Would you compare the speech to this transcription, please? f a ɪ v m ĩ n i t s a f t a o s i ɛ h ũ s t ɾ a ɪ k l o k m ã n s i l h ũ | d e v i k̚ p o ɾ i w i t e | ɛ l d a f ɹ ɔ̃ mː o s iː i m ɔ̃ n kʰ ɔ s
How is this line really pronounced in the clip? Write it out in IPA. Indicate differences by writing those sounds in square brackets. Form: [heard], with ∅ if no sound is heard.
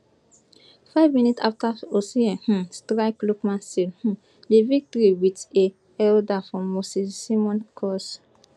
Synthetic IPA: f a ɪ v m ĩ n i t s a f t a o s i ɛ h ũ s t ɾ a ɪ k l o k m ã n s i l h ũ | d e v i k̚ [t] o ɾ i w i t e | ɛ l d a f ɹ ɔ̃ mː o s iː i m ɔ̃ n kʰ ɔ s